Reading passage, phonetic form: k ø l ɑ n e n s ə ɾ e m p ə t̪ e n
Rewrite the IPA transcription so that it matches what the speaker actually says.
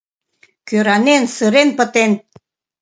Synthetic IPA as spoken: k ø ɾ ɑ n e n s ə ɾ e n p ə t̪ e n